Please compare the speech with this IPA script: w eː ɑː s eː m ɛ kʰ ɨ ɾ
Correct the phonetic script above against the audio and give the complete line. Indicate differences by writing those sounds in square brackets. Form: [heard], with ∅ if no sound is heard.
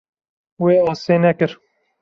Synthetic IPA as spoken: w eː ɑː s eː [n] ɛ [k] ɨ ɾ